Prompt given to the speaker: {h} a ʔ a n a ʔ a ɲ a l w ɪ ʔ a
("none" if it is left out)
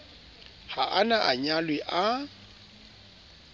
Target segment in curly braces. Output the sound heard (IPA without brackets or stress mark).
h